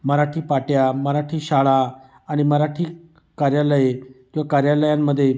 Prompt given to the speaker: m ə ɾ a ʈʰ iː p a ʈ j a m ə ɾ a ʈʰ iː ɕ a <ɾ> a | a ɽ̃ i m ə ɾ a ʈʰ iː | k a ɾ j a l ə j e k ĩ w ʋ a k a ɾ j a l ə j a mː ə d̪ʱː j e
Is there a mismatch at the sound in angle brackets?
yes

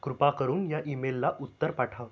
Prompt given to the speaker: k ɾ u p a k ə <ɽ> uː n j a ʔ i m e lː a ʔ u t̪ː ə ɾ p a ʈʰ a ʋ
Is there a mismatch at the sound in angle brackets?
yes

